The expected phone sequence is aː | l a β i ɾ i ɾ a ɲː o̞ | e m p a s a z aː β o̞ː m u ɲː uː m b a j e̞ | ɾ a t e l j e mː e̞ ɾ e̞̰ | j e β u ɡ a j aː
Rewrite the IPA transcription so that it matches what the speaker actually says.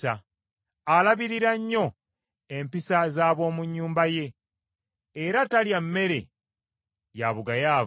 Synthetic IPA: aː | l a β i ɾ i ɾ a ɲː o̞ | e m p i s a z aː β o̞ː m u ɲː uː m b a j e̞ | ɾ a t a l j a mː e̞ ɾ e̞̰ | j a β u ɡ a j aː

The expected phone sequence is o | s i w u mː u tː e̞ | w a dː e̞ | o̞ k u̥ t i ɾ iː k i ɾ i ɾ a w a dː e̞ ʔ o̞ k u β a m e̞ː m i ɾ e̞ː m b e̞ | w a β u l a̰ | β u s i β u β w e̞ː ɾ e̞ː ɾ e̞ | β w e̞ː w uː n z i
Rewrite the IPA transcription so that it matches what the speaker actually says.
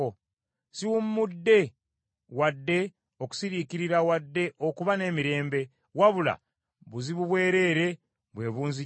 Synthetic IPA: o | s i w u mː u dː e̞ | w a dː e̞ | o̞ k u̥ s i ɾ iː k i ɾ i ɾ a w a dː e̞ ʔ o̞ k u β a n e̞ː m i ɾ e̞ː m b e̞ | w a β u l a̰ | β u z i β u β w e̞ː ɾ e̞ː ɾ e̞ | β w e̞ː β uː n z i

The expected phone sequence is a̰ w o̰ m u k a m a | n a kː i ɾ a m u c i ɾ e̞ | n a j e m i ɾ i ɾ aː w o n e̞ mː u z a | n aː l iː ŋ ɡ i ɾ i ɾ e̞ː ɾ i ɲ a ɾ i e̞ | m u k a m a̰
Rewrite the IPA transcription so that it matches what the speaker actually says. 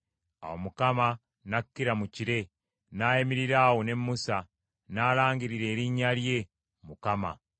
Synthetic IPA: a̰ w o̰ m u k a m a | n a kː i ɾ a m u c i ɾ e̞ | n a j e m i ɾ i ɾ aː w o n e̞ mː u s a | n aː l aː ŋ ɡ i ɾ i ɾ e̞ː ɾ i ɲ a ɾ j e̞ | m u k a m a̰

